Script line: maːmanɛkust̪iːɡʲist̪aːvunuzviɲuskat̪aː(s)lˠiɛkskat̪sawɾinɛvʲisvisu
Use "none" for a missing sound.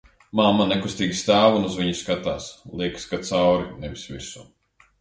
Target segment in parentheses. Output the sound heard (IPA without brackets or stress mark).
s